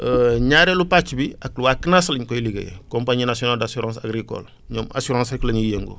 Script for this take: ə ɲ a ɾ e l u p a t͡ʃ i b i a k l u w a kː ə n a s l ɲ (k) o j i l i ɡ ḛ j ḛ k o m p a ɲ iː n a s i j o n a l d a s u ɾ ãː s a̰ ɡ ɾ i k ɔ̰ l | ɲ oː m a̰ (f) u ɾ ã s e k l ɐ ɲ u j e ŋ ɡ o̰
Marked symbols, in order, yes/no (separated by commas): yes, no